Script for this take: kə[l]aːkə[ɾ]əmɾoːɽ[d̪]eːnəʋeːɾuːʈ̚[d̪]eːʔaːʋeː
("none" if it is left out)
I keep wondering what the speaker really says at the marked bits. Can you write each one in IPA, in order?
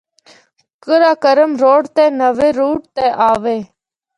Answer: ɾ, ɾ, t̪, t̪

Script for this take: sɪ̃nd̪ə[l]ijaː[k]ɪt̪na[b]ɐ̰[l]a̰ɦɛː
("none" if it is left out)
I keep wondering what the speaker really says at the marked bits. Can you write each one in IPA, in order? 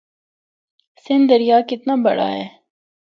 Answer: ɾ, k, b, ɽ

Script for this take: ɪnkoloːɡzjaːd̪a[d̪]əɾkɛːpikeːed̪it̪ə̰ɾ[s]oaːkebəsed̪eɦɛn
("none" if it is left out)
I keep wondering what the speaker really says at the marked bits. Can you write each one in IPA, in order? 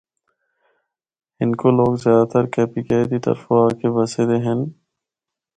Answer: t̪, f

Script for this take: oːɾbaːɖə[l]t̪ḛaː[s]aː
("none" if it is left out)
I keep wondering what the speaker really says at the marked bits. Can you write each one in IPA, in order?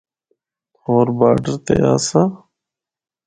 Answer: ɾ, s

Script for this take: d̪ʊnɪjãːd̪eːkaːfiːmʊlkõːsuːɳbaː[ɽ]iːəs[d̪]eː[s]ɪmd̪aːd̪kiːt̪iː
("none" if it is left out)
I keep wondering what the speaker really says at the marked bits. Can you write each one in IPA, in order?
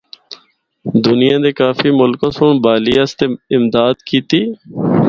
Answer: l, t̪, none

